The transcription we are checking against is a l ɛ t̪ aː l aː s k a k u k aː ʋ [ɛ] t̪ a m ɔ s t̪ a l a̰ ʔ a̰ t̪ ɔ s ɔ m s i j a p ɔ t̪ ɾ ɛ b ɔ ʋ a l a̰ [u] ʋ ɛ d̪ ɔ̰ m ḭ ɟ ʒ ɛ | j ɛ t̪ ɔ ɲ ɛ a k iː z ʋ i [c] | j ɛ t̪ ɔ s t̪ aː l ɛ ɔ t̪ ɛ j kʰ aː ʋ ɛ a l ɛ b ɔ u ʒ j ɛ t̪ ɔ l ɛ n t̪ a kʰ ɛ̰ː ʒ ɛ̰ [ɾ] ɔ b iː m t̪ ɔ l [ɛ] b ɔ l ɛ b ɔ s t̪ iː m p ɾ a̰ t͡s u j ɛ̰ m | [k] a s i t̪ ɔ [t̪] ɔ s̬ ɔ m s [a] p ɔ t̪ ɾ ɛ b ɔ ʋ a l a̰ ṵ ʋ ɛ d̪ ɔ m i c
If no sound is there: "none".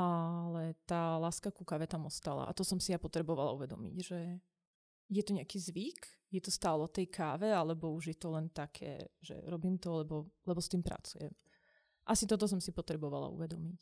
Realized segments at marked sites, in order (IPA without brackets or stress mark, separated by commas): ɛ, u, k, ɾ, ɛ, ʔ, t̪, i